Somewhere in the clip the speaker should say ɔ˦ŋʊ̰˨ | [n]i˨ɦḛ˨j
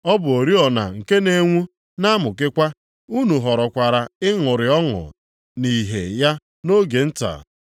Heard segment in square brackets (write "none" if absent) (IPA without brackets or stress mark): n